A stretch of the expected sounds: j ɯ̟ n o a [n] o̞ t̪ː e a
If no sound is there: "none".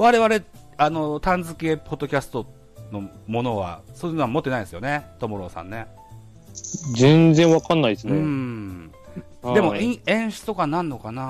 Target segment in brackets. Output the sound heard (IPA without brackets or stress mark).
m